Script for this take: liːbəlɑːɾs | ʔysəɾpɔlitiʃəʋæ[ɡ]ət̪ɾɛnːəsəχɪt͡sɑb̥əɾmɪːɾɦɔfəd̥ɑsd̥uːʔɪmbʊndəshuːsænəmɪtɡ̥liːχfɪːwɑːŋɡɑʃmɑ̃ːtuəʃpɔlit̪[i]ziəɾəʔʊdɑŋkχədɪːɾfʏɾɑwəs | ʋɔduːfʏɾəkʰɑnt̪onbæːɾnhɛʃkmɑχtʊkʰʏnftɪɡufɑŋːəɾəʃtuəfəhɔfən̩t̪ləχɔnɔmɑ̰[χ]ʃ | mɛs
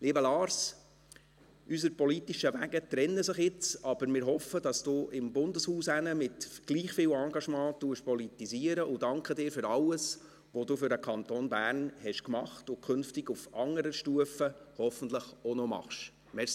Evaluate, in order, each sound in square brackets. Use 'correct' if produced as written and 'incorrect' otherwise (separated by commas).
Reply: correct, correct, correct